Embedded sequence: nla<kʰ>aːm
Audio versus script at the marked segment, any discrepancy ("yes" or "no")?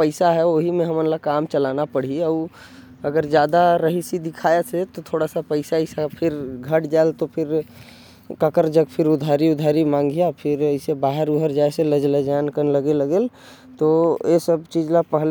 yes